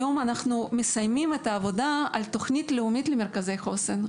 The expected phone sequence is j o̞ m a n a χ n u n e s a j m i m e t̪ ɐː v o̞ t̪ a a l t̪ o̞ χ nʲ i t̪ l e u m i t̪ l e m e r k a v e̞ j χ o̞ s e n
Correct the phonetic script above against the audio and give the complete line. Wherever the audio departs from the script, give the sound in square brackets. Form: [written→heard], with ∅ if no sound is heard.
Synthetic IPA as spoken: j o̞ m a n a χ n u [n→m] e s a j m i m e t̪ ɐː v o̞ [t̪→d̪] a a l t̪ o̞ χ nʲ i t̪ l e u m i t̪ l e m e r k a [v→z] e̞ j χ o̞ s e n